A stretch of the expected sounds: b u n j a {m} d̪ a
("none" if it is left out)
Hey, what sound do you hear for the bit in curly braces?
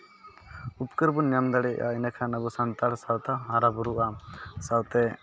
m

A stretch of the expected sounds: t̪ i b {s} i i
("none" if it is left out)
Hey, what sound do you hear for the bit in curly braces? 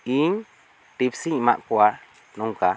s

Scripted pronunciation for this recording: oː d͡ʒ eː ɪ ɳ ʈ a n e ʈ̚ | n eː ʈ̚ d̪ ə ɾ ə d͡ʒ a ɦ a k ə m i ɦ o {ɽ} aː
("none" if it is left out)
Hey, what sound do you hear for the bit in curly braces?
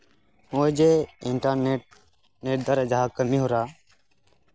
ɾ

